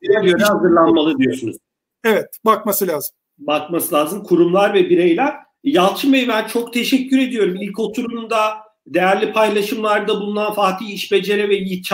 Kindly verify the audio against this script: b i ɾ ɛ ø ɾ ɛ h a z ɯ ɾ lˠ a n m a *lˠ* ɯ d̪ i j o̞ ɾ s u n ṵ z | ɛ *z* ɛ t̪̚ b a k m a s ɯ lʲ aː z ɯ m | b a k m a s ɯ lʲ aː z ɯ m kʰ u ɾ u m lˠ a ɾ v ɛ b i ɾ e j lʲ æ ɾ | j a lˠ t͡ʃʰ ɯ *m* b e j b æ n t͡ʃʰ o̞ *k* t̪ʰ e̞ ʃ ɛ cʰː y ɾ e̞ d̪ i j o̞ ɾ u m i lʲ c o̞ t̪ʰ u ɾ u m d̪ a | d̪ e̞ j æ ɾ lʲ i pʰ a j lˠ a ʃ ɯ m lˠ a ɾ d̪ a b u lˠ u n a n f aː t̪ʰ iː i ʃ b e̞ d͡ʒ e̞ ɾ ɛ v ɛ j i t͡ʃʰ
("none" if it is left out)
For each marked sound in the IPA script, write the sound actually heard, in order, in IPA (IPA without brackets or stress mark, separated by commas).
lˠ, v, m, k